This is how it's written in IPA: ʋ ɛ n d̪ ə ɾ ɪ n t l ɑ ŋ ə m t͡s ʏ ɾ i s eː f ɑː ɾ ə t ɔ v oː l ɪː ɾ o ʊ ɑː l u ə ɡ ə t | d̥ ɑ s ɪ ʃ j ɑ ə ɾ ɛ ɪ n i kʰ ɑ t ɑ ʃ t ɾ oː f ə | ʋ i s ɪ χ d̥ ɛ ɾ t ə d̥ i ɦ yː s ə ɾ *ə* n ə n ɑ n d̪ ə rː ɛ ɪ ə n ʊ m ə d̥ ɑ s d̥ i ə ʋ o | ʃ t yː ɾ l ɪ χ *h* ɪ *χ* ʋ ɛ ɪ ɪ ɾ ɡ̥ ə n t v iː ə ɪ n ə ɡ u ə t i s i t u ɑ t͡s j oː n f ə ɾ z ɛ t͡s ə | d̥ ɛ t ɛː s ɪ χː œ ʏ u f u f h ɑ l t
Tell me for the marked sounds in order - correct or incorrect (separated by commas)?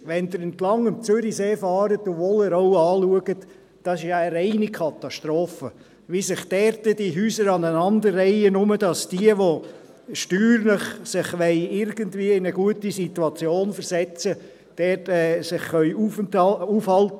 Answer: incorrect, incorrect, correct